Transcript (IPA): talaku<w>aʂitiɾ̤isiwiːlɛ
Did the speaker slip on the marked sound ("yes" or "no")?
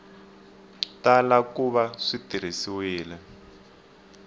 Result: yes